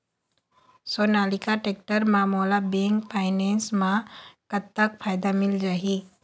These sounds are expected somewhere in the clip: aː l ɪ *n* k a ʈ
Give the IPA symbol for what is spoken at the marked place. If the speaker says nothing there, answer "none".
none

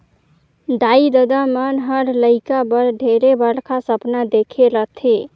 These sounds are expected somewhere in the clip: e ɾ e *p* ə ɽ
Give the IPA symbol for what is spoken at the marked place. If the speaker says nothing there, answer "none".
b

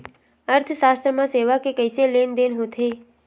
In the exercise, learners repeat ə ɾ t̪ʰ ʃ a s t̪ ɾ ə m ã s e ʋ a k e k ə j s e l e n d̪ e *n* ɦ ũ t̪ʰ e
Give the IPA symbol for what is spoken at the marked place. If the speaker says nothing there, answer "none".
n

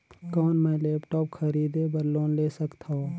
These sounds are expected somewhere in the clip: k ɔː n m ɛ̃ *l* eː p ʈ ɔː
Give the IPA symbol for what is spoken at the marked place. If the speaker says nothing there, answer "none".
l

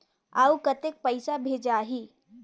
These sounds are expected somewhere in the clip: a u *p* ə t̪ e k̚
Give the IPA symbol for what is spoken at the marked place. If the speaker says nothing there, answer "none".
k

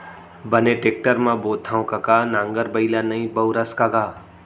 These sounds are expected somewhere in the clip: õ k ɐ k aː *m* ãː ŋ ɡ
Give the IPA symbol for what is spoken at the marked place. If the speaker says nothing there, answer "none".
n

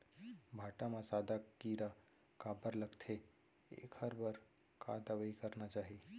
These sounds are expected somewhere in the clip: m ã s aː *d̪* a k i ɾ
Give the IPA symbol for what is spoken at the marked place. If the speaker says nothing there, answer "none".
d̪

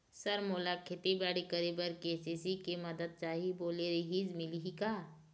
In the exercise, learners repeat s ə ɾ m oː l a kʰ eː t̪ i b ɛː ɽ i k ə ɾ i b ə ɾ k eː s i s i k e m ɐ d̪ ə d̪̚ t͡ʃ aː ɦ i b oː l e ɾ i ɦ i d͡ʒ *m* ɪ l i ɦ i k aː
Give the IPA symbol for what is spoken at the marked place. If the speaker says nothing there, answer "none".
m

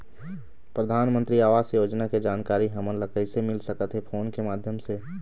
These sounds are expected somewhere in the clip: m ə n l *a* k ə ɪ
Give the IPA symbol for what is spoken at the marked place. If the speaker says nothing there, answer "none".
ə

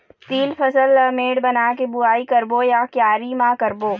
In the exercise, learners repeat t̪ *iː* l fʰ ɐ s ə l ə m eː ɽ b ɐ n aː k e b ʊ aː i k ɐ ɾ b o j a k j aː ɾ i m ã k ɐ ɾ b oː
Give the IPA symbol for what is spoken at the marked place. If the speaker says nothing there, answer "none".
iː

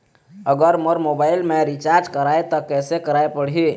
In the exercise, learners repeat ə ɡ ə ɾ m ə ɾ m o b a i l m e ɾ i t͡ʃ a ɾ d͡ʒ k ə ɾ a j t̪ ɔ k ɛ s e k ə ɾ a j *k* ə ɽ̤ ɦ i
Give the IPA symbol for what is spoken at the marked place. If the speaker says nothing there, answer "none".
p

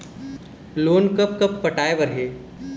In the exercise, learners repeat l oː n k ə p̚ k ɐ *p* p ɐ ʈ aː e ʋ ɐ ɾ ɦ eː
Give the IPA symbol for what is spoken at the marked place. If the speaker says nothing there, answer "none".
p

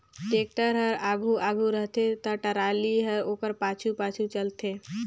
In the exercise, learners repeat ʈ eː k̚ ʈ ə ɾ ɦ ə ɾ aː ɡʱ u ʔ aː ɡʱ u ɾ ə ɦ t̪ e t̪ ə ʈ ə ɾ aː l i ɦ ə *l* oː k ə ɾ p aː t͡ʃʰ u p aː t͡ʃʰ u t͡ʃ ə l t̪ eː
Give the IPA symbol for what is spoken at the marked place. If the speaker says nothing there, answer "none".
ɾ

